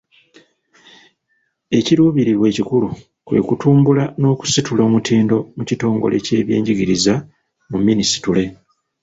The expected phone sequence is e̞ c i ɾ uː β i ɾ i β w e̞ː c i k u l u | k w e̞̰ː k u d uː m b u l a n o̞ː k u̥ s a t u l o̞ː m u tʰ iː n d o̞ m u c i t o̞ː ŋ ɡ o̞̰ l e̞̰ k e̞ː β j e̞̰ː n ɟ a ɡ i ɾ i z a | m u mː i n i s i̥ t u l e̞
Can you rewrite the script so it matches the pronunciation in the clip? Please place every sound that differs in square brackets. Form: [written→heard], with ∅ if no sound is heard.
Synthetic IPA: e̞ c i ɾ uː β i ɾ i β w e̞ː c i k u l u | k w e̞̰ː k u [d→t] uː m b u l a n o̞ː k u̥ s [a→i] t u l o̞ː m u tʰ iː n d o̞ m u c i t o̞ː ŋ ɡ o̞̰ l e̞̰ [k→c] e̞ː β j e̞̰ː [n→ɲ] ɟ [a→i] ɡ i ɾ i z a | m u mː i n i s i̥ t u l e̞